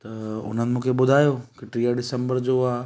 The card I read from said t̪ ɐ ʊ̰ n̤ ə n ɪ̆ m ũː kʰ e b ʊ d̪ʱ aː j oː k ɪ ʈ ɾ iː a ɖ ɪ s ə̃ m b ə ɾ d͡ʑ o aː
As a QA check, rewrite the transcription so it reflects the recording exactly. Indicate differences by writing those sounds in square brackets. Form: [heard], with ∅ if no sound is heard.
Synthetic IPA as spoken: t̪ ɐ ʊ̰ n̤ ə n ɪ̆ m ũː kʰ e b ʊ d̪ʱ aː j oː k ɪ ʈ ɾ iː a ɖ ɪ s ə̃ m b ə ɾ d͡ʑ o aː